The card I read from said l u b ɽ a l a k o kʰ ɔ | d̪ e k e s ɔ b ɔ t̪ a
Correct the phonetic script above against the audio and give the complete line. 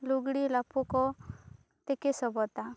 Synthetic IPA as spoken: l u ɡ ɽ i l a p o k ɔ | t̪ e k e s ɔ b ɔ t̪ a